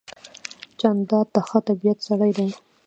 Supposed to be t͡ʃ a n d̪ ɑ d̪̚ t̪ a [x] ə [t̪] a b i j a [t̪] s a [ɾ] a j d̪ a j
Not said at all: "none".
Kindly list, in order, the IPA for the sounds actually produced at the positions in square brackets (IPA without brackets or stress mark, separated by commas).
x, t̪, t̪, ɽ